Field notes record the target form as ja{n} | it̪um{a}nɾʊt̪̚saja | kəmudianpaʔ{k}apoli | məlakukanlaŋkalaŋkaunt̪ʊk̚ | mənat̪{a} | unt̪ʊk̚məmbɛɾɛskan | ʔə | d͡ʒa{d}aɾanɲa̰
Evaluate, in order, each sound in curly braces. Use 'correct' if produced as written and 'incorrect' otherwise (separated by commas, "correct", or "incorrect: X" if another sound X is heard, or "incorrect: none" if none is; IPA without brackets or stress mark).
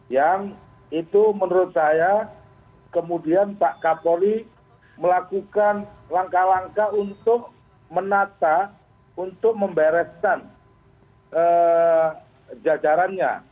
incorrect: ŋ, incorrect: ə, correct, correct, incorrect: d͡ʒ